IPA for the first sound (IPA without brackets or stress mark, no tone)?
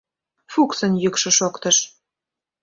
f